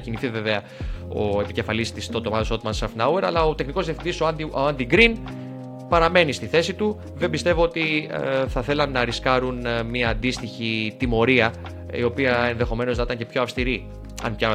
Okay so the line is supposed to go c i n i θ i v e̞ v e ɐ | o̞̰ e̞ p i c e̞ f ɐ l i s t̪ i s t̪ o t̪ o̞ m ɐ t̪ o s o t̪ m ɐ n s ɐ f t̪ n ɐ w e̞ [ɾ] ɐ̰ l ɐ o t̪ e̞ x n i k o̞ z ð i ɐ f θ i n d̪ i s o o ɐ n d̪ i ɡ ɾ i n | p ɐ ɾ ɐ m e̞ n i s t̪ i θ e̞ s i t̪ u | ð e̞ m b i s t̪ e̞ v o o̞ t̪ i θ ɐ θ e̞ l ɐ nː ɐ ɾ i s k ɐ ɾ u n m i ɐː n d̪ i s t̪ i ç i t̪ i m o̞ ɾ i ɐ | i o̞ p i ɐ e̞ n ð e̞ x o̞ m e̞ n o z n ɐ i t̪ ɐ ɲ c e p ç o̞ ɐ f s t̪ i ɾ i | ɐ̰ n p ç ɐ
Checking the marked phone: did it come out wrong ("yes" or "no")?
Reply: no